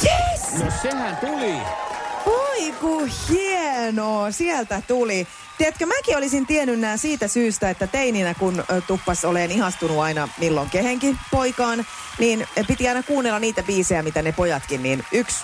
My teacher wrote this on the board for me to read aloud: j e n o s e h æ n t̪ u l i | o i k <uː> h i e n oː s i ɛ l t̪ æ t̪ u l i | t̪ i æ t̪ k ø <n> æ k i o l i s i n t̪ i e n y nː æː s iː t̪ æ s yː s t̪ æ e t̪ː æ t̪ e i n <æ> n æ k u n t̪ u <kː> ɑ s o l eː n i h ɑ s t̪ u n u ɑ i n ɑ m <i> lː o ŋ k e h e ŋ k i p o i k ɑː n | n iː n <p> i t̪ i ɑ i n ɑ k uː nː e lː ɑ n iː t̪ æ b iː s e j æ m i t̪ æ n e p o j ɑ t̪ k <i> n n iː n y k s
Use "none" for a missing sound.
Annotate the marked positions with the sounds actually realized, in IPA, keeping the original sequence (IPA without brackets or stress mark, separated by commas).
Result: u, m, i, pː, i, p, i